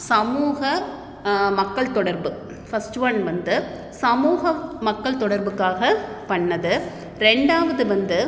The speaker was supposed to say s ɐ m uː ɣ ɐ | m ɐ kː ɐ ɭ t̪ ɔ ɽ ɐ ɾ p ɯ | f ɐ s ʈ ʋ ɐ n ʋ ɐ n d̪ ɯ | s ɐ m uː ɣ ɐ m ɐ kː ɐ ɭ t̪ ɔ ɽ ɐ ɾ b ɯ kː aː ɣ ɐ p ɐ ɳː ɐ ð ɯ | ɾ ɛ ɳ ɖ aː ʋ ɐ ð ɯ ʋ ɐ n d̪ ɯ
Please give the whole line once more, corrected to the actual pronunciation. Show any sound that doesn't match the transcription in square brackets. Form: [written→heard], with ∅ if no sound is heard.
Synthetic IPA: s ɐ m uː ɣ ɐ | m ɐ kː ɐ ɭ t̪ ɔ ɽ ɐ ɾ [p→b] ɯ | f ɐ s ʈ ʋ ɐ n ʋ ɐ n d̪ ɯ | s ɐ m uː ɣ ɐ m ɐ kː ɐ ɭ t̪ ɔ ɽ ɐ ɾ b ɯ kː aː ɣ ɐ p ɐ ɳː ɐ ð ɯ | ɾ ɛ ɳ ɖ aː ʋ ɐ ð ɯ ʋ ɐ n d̪ ɯ